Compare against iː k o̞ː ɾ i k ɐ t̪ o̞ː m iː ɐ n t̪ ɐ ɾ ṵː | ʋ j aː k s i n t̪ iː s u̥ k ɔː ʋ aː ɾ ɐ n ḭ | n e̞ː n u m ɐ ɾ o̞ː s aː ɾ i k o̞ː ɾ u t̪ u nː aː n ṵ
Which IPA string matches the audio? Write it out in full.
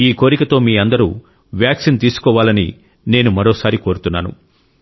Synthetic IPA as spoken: iː k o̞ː ɾ i k ɐ t̪ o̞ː m iː ɐ n d̪ ɐ ɾ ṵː | ʋ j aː k s i n t̪ iː s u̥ k ɔː ʋ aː l ɐ n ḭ | n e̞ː n u m ɐ ɾ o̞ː s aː ɾ i k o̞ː ɾ u t̪ u nː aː n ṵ